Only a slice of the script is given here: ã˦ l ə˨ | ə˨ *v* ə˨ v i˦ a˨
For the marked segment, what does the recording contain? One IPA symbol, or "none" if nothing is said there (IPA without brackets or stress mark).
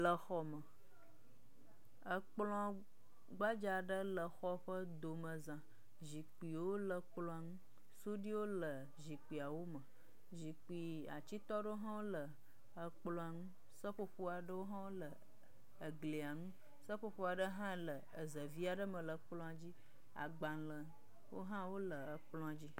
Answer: z